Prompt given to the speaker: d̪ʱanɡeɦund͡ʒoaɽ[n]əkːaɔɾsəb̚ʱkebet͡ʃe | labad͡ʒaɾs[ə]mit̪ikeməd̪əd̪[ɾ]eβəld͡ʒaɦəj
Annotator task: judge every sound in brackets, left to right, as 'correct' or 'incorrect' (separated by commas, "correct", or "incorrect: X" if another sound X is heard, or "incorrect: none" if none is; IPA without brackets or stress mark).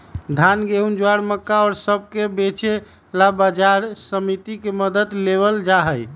incorrect: m, correct, incorrect: l